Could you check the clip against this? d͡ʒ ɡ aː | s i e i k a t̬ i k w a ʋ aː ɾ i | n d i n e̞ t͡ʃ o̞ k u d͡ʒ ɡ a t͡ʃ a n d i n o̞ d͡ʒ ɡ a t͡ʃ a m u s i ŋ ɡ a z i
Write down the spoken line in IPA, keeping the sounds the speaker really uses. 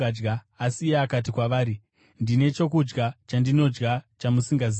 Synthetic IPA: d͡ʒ ɡ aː | s i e a k a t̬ i k w a ʋ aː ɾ i | n d i n e̞ t͡ʃ o̞ k u d͡ʒ ɡ a t͡ʃ a n d i n o̞ d͡ʒ ɡ a t͡ʃ a m u s i ŋ ɡ a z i